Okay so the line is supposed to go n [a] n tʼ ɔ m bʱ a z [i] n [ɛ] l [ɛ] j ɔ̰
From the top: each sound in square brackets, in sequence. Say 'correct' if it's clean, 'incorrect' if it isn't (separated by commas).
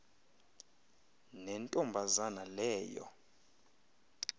incorrect, incorrect, incorrect, incorrect